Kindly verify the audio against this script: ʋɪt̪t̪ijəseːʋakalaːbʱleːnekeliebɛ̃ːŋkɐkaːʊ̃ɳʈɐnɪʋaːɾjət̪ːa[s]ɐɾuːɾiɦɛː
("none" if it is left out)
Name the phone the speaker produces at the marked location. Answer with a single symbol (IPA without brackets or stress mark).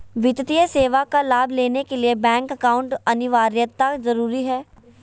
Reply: z